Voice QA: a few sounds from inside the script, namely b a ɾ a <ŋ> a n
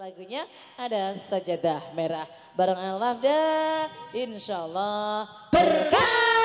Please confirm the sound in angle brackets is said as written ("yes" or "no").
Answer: yes